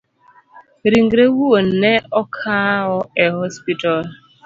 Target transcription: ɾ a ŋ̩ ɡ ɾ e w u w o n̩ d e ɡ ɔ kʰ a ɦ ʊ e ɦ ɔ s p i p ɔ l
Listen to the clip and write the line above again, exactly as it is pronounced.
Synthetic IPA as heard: ɾ i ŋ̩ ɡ ɾ e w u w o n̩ n e ɔ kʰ a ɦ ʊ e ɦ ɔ s p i t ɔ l